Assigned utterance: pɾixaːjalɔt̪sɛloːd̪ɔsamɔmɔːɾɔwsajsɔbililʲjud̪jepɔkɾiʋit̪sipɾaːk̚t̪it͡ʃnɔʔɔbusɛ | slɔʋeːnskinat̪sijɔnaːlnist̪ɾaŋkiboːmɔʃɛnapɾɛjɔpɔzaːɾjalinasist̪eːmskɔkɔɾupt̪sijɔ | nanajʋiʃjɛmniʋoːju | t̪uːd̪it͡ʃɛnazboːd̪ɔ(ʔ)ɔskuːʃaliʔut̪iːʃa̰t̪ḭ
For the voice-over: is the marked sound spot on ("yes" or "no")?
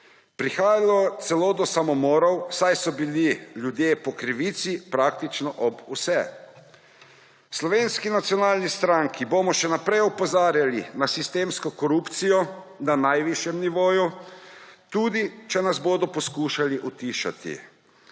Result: no